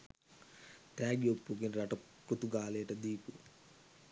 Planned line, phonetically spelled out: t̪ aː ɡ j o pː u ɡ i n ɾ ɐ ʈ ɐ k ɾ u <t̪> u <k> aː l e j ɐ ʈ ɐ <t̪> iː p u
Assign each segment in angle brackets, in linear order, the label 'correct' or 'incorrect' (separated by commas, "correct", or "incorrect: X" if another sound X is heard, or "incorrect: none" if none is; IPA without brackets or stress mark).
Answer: correct, incorrect: ɡ, incorrect: d̪